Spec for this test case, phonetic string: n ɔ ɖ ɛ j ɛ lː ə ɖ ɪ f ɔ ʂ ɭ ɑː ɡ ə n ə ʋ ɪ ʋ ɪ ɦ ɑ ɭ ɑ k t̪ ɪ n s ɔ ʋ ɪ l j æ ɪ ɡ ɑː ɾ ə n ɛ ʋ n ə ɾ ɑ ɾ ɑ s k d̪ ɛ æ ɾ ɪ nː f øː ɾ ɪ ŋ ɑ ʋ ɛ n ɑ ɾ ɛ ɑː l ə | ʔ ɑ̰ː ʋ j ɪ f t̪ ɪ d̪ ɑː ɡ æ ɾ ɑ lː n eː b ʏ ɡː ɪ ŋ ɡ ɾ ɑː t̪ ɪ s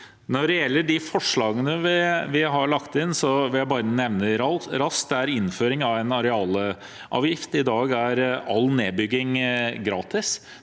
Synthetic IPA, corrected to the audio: n ɔ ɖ ɛ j ɛ lː ə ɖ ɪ f ɔ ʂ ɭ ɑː ɡ ə n ə ʋ ɪ ʋ ɪ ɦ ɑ ɭ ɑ k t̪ ɪ n s ɔ ʋ ɪ l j æ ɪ b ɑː ɾ ə n ɛ ʋ n ə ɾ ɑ ɾ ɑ s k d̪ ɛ æ ɾ ɪ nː f øː ɾ ɪ ŋ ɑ ʋ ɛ n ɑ ɾ ɛ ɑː l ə | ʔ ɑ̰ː ʋ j ɪ f t̪ ɪ d̪ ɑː ɡ æ ɾ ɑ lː n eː b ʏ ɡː ɪ ŋ ɡ ɾ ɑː t̪ ɪ s

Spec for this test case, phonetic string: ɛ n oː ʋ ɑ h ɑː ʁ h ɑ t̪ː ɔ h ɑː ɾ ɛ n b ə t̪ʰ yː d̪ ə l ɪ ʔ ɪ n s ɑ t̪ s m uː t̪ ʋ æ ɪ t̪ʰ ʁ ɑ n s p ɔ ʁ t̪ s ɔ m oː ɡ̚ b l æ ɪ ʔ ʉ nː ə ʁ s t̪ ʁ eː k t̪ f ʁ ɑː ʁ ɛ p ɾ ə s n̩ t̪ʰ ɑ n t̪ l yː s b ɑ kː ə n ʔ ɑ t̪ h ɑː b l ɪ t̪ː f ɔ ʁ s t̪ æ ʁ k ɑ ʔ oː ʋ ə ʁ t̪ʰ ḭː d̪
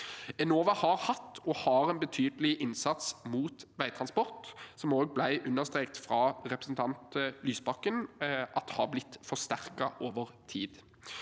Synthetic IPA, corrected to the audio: ɛ n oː ʋ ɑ h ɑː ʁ h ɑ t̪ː ɔ h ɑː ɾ ɛ n b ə t̪ʰ yː d̪ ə l ɪ ʔ ɪ n s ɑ t̪ s m uː t̪ ʋ æ ɪ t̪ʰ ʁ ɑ n s p ɔ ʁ t̪ s ɔ m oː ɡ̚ b l æ ɪ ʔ ʉ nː ə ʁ s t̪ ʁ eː k t̪ f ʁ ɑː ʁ ɛ p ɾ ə s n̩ t̪ʰ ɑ n t̪ l yː s b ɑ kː ə n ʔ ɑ t̪ h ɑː b l ɪ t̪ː f ɔ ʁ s t̪ æ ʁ k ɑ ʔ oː ʋ ə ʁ t̪ʰ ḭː d̪

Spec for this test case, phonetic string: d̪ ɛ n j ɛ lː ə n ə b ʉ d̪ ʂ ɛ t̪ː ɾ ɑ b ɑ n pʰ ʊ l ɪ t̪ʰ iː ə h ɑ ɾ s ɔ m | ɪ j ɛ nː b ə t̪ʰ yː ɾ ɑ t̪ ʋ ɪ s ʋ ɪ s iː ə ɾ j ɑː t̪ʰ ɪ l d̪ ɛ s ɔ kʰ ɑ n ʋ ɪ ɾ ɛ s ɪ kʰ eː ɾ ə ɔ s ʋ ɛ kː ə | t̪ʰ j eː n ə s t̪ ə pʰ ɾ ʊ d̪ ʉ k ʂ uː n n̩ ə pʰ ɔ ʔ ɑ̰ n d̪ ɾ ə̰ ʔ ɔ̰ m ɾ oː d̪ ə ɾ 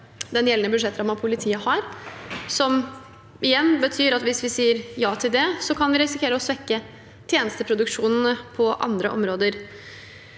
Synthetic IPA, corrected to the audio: d̪ ɛ n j ɛ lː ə n ə b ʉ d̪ ʂ ɛ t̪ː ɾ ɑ m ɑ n pʰ ʊ l ɪ t̪ʰ iː ə h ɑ ɾ s ɔ m | ɪ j ɛ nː b ə t̪ʰ yː ɾ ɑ t̪ ʋ ɪ s ʋ ɪ s iː ə ɾ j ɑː t̪ʰ ɪ l d̪ ɛ s ɔ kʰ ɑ n ʋ ɪ ɾ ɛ s ɪ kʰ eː ɾ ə ɔ s ʋ ɛ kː ə | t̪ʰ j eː n ə s t̪ ə pʰ ɾ ʊ d̪ ʉ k ʂ uː n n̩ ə pʰ ɔ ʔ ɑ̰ n d̪ ɾ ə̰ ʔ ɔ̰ m ɾ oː d̪ ə ɾ

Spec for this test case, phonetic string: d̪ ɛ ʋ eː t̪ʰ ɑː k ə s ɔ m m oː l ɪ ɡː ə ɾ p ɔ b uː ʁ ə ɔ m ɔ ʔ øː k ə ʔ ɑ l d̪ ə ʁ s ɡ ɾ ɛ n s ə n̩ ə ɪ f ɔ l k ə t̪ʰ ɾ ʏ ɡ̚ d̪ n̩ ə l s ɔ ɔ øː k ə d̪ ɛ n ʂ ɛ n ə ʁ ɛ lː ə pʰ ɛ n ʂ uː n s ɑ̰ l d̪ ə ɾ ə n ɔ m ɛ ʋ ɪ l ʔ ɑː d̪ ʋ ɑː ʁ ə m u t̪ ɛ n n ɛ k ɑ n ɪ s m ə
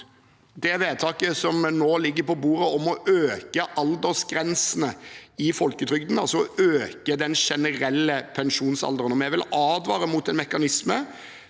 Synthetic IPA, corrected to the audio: d̪ ɛ ʋ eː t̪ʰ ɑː k ə s ɔ m n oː l ɪ ɡː ə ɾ p ɔ b uː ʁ ə ɔ m ɔ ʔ øː k ə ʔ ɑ l d̪ ə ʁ s ɡ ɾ ɛ n s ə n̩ ə ɪ f ɔ l k ə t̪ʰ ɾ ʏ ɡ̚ d̪ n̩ ɑ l s ɔ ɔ øː k ə d̪ ɛ n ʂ ɛ n ə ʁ ɛ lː ə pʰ ɛ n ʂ uː n s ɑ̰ l d̪ ə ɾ ə n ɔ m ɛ ʋ ɪ l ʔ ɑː d̪ ʋ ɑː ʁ ə m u t̪ ɛ n m ɛ k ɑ n ɪ s m ə

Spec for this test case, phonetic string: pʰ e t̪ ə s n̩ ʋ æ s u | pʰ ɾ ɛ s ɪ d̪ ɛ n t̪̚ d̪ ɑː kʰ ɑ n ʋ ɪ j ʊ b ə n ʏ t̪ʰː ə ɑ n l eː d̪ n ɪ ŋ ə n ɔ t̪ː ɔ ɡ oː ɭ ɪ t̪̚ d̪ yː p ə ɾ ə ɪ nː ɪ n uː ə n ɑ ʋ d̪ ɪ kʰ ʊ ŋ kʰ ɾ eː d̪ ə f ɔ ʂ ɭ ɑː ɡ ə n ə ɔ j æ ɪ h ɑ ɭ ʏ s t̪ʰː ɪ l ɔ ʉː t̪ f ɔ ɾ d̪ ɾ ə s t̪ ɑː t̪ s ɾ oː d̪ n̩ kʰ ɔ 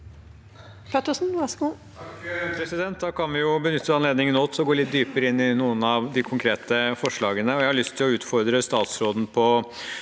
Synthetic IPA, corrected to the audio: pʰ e t̪ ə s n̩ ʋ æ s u | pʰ ɾ ɛ s ɪ d̪ ɛ n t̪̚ d̪ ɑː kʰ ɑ n ʋ ɪ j ʊ b ə n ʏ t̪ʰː ə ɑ n l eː d̪ n ɪ ŋ ə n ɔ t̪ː ɔ ɡ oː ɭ ɪ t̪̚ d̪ yː p ə ɾ ə ɪ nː ɪ n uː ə n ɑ ʋ d̪ ɪ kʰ ʊ ŋ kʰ ɾ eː t̪ ə f ɔ ʂ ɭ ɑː ɡ ə n ə ɔ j æ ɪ h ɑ ɭ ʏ s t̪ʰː ɪ l ɔ ʉː t̪ f ɔ ɾ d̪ ɾ ə s t̪ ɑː t̪ s ɾ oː d̪ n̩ pʰ ɔ

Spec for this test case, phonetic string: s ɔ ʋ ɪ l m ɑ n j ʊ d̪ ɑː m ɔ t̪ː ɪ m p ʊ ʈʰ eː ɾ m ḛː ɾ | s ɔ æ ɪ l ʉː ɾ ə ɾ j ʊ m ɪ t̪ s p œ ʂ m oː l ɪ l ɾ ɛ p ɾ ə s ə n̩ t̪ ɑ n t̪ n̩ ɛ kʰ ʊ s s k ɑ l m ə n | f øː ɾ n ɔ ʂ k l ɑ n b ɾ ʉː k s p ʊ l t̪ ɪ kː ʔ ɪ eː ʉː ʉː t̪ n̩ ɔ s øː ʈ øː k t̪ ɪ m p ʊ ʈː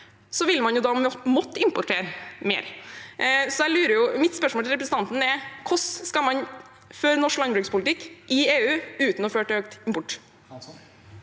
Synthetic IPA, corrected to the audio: s ɔ ʋ ɪ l m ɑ n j ʊ d̪ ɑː m ɔ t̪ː ɪ m p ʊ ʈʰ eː ɾ m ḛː ɾ | s ɔ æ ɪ l ʉː ɾ ə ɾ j ʊ m ɪ t̪ s p œ ʂ m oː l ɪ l ɾ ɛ p ɾ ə s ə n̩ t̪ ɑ n t̪ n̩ ɛ kʰ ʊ s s k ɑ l m ɑ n | f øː ɾ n ɔ ʂ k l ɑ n b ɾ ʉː k s p ʊ l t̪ ɪ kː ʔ ɪ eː ʉː ʉː t̪ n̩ ɔ f øː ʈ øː k t̪ ɪ m p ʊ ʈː

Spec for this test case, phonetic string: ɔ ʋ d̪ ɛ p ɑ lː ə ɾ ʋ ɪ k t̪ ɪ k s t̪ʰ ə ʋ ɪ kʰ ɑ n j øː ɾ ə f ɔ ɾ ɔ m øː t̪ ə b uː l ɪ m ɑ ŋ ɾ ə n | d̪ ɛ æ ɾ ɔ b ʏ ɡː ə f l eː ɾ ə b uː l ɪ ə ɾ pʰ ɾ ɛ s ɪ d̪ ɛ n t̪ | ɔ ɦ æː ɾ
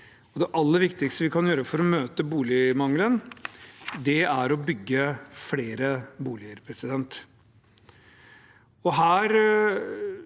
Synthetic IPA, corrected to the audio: ɔ d̪ ɛ ʔ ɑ lː ə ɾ ʋ ɪ k t̪ ɪ k s t̪ ə ʋ ɪ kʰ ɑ n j øː ɾ ə f ɔ ɾ ɔ m øː t̪ ə b uː l ɪ m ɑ ŋ l ə n | d̪ ɛ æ ɾ ɔ b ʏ ɡː ə f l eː ɾ ə b uː l ɪ ə ɾ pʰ ɾ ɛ s ɪ d̪ ɛ n t̪ | ɔ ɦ æː ɾ

